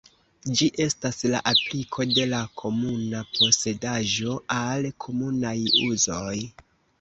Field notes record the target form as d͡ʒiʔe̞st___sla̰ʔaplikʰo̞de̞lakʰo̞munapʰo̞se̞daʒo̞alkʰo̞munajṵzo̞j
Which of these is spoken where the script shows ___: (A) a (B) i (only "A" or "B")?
A